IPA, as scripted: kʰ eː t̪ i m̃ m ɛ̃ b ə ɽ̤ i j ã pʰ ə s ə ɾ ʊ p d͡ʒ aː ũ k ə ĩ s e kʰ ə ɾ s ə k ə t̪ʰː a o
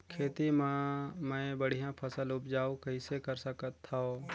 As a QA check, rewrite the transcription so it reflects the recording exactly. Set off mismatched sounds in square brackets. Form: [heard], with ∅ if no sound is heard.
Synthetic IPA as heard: kʰ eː t̪ i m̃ m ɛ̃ b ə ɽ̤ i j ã pʰ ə s ə [l] ʊ p d͡ʒ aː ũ k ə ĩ s e [k] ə ɾ s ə k ə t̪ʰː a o